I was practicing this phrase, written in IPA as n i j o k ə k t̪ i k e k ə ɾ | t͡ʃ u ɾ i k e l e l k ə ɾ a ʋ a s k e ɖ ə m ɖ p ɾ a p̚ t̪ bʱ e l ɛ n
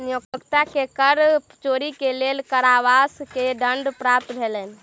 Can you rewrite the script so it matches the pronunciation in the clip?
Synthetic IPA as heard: n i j o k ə k t̪ a k e k ə ɾ | t͡ʃ o ɾ i k e l e l k ə ɾ a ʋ a s k e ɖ ə ɳ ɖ p ɾ a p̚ t̪ bʱ e l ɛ n